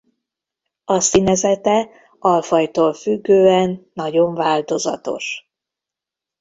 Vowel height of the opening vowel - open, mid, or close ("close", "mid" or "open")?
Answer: open